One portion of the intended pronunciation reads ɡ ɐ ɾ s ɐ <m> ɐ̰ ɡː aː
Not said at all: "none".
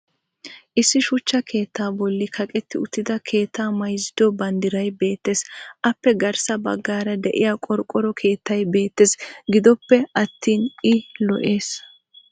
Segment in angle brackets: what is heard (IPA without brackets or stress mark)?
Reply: b